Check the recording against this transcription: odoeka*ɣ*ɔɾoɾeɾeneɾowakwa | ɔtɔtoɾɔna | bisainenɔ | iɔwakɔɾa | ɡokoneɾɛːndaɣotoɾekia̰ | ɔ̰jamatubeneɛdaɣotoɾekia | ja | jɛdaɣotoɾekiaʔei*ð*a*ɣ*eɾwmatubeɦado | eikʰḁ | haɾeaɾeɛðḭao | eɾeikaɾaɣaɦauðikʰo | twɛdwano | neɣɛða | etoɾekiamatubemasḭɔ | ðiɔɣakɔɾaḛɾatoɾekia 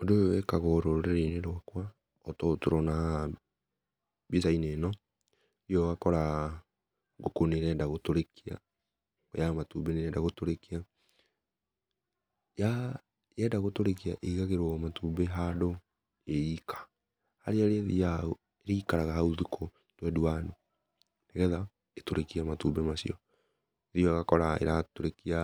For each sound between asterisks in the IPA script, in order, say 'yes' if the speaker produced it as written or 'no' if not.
yes, no, yes

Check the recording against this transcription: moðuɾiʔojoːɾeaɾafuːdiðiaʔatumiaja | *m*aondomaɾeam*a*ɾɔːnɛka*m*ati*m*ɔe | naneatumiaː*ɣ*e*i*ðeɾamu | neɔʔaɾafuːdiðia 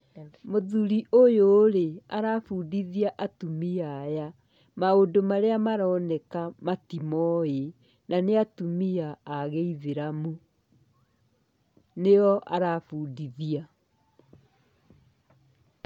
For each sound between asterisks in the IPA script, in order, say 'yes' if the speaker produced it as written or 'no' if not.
yes, yes, yes, yes, yes, yes

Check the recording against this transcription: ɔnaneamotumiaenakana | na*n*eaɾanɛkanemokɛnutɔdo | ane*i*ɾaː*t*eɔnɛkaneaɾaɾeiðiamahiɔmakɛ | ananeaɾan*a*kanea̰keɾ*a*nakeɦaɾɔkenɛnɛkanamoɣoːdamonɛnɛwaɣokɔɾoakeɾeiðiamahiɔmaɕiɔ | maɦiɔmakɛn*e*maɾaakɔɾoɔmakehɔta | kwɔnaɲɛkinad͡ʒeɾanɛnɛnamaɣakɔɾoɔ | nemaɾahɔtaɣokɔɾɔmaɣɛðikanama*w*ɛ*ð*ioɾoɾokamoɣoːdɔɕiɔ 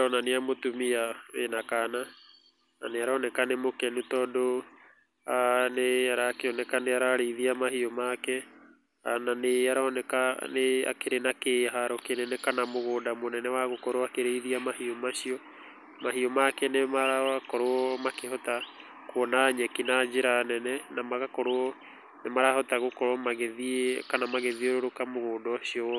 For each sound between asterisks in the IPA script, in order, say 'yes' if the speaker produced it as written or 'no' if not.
yes, no, no, no, no, yes, no, yes

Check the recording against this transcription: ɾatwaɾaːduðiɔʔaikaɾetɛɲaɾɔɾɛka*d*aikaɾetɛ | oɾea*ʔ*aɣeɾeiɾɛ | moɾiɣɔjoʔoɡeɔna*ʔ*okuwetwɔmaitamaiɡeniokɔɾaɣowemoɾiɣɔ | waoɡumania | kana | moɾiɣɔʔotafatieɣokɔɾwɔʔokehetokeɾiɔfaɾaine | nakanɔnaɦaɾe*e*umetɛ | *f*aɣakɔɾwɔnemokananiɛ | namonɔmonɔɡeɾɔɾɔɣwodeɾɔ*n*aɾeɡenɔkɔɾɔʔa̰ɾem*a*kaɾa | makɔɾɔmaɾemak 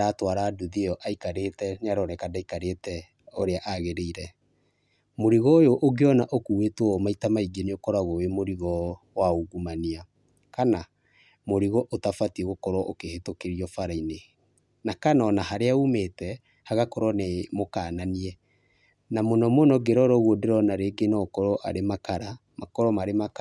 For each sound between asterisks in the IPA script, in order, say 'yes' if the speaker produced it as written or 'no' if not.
yes, yes, yes, no, no, yes, yes

